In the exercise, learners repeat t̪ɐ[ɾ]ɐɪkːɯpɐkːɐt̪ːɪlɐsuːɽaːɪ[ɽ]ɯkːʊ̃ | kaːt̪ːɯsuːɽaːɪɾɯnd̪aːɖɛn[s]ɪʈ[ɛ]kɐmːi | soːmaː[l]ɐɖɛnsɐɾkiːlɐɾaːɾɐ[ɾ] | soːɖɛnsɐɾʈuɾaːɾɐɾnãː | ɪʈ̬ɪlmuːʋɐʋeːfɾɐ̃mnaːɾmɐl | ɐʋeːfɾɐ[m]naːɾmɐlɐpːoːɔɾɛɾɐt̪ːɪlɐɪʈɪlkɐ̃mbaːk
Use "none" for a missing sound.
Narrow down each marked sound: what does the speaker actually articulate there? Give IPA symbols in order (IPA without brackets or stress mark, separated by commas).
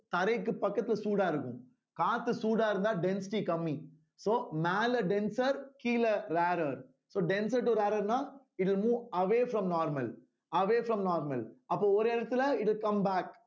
ɾ, ɾ, s, i, l, ɾ, m